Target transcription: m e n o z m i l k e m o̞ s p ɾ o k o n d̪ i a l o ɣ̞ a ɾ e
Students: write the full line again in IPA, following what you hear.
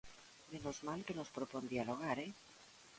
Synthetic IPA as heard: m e n o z m a l k e n o̞ s p ɾ o p o n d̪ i a l o ɣ̞ a ɾ e

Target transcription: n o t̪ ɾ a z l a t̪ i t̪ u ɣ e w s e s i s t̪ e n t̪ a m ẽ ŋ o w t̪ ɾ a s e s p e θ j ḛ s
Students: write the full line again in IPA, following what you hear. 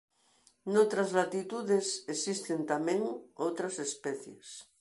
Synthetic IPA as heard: n o t̪ ɾ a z l a t̪ i t̪ u ð e s e s i s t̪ e n t̪ a m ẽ ŋ o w t̪ ɾ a s e s p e θ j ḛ s

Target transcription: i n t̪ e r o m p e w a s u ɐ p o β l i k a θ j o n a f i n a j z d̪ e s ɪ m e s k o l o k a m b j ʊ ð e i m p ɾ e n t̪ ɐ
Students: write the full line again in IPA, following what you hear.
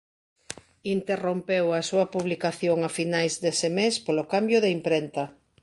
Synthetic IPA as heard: i n t̪ e r o m p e w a s u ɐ p u β l i k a θ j o ŋ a f i n a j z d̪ e s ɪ m e s p o l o k a m b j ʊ ð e i m p ɾ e n t̪ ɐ

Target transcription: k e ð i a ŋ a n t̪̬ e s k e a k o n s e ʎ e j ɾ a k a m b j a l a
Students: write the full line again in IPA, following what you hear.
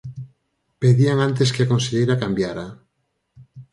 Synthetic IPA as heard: p e ð i a ŋ a n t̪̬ e s k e a k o n s e ʎ e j ɾ a k a m b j a ɾ a

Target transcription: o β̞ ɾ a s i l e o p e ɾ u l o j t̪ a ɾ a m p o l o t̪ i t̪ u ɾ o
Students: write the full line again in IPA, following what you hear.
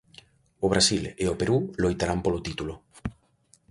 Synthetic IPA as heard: o β̞ ɾ a s i l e o p e ɾ u l o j t̪ a ɾ a m p o l o t̪ i t̪ u l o

